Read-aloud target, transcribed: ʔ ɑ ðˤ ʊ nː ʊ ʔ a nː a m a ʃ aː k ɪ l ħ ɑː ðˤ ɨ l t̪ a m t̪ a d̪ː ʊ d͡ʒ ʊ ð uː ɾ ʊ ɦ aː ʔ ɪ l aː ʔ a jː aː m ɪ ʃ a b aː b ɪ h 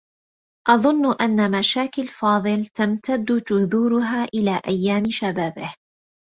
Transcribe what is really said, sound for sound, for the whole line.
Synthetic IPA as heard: ʔ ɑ ðˤ ʊ nː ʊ ʔ a nː a m a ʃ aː k ɪ l f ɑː ðˤ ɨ l t̪ a m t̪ a d̪ː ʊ d͡ʒ ʊ ð uː ɾ ʊ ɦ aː ʔ ɪ l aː ʔ a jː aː m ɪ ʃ a b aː b ɪ h